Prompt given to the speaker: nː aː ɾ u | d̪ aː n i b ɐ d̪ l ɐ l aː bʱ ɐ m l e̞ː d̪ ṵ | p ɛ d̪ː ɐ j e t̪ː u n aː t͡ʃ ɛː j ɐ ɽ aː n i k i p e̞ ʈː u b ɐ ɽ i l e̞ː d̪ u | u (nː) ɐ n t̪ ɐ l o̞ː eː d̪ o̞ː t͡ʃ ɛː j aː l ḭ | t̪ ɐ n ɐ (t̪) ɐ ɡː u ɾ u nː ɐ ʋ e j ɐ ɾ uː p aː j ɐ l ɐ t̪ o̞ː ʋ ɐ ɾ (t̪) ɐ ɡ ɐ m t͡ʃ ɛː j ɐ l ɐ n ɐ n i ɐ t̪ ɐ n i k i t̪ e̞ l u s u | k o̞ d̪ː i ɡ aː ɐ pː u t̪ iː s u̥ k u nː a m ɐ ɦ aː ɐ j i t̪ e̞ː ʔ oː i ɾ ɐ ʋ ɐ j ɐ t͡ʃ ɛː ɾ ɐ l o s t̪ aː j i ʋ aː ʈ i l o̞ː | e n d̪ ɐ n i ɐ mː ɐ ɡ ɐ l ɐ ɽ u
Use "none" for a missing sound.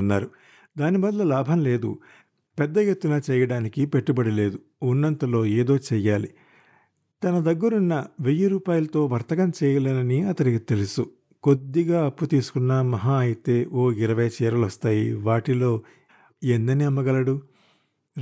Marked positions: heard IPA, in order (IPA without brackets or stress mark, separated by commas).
nː, d̪, t̪